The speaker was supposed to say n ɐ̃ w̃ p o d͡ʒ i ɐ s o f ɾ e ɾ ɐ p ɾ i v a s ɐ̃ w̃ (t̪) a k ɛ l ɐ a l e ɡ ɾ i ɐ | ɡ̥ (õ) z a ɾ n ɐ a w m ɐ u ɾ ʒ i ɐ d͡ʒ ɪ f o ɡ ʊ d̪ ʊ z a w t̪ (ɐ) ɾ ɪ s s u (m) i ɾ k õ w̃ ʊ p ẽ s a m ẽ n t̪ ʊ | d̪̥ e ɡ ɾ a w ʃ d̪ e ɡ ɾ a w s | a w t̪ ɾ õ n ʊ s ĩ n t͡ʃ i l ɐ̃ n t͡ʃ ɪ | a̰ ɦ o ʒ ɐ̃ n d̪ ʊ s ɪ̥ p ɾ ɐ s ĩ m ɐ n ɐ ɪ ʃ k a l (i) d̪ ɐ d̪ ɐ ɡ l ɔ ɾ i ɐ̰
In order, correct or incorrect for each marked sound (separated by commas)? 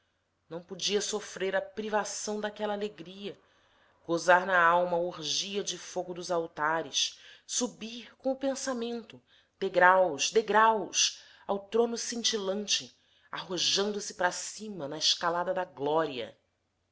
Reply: incorrect, incorrect, incorrect, incorrect, incorrect